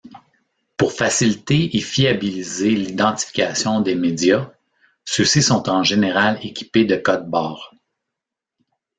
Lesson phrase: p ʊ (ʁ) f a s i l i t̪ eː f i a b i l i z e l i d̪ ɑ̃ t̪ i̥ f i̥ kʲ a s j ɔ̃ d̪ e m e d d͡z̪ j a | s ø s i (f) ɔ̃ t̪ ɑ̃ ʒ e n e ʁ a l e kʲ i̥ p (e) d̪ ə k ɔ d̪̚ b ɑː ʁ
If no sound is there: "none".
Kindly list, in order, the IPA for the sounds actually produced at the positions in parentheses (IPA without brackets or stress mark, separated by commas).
ʁ, s, e